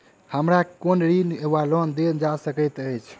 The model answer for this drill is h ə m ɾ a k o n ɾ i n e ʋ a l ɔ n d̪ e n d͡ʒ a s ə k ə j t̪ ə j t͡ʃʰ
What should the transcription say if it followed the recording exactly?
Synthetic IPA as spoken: h ə m ɾ a k o n ɾ i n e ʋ a l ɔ n d̪ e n d͡ʒ a s ə k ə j t̪ ə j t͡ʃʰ

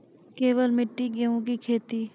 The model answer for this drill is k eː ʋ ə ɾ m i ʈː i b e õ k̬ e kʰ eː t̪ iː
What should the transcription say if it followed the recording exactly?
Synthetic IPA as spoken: k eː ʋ ə l m ɪ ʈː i ɡ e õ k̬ i kʰ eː t̪ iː

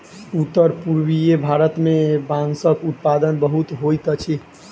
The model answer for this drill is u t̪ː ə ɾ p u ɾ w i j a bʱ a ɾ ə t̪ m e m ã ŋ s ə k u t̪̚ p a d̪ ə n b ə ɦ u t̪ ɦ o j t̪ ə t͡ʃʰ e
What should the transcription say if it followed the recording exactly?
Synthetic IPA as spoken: u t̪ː ə ɾ p u ɾ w i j e bʱ a ɾ ə t̪ m e b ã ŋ s ə k u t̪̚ p a d̪ ə n b ə ɦ u t̪ ɦ o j t̪ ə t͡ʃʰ i

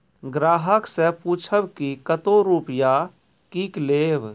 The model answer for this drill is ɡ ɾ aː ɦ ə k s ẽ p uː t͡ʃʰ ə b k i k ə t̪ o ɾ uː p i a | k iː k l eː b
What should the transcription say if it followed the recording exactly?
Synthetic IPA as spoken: ɡ ɾ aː ɦ ə k s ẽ p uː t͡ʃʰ ə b k i k ə t̪ o ɾ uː p j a | k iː k l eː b

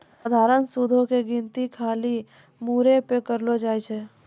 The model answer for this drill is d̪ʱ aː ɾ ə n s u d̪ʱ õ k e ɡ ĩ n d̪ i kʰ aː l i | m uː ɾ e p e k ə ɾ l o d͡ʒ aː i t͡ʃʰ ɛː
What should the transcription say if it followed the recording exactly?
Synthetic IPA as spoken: d̪ʱ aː ɾ ə n s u d̪ʱ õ k e ɡ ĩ n t̪ i kʰ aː l i | m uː ɾ e p e k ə ɾ l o d͡ʒ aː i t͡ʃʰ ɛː

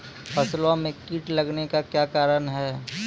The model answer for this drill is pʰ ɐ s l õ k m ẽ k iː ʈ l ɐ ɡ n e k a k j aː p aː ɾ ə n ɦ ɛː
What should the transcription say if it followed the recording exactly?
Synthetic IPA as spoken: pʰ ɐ s l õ m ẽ k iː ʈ l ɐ ɡ n e k a k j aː k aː ɾ ə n ɦ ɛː

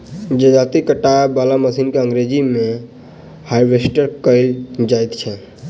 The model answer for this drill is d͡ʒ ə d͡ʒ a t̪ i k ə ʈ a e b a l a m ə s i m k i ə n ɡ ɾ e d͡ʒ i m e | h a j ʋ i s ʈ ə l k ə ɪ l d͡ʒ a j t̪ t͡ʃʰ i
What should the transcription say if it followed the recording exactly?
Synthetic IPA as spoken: d͡ʒ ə d͡ʒ a t̪ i k ə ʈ a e b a l a m ə s i n k e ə ŋ ɡ ɾ e d͡ʒ i m e | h a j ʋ e s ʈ ə ɾ k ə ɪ l d͡ʒ a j t̪ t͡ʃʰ ɛ

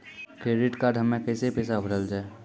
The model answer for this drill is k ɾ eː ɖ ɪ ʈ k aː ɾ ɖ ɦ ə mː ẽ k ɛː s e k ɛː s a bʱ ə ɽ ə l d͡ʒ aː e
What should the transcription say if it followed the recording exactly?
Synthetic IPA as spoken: k ɾ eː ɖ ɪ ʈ k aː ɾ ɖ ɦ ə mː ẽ k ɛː s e p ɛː s a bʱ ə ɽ ə l d͡ʒ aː e

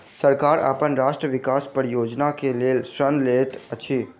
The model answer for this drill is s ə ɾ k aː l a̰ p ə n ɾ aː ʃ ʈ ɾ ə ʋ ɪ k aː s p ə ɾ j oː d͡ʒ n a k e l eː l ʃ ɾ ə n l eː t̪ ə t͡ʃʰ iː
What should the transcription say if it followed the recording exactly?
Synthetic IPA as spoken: s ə ɾ k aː ɾ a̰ p ə n ɾ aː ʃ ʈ ɾ ə ʋ ɪ k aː s p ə ɾ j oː d͡ʒ n a k e l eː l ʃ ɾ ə n l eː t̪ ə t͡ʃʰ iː

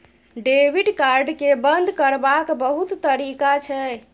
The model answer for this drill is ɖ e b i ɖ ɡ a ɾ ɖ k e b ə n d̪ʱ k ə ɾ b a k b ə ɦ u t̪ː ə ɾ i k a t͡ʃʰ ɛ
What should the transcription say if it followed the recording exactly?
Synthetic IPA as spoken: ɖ e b i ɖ k a ɾ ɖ k e b ə n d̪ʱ k ə ɾ b a k b ə ɦ u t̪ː ə ɾ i k a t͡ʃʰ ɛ

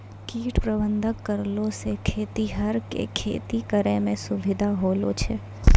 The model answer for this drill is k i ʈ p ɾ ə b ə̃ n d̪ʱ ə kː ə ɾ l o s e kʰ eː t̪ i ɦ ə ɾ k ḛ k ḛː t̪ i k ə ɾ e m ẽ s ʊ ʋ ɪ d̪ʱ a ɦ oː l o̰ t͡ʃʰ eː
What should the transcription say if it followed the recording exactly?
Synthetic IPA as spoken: k iː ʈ p ɾ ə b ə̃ n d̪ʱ ə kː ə ɾ l o s e kʰ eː t̪ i ɦ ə ɾ k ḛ kʰ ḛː t̪ i k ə ɾ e m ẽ s ʊ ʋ ɪ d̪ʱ a ɦ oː l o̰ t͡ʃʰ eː

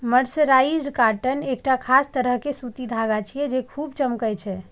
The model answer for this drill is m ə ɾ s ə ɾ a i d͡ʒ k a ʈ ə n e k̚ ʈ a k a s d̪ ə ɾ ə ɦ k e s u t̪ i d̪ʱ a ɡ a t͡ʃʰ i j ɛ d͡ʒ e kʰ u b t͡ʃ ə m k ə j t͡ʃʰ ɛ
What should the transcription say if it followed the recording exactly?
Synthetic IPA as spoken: m ə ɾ s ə ɾ a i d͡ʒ k a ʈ ə n e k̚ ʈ a kʰ a s t̪ ə ɾ ə ɦ k e s u t̪ i d̪ʱ a ɡ a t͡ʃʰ i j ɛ d͡ʒ e kʰ u b t͡ʃ ə m k ə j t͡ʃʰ ɛ

